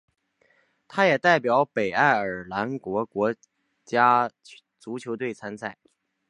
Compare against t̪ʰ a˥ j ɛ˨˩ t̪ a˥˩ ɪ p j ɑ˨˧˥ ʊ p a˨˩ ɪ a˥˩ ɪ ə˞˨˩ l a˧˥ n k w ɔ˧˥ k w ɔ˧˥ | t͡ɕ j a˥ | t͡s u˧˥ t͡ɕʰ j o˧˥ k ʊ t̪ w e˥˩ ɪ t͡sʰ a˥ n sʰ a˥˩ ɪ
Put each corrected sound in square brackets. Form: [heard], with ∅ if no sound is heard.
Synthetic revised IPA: t̪ʰ a˥ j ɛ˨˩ t̪ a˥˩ ɪ p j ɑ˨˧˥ ʊ p [e˨˩] ɪ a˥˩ ɪ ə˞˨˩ l a˧˥ n k w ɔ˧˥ k w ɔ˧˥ | t͡ɕ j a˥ | t͡s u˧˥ t͡ɕʰ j o˧˥ [∅] ʊ t̪ w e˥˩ ɪ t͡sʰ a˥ n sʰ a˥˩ ɪ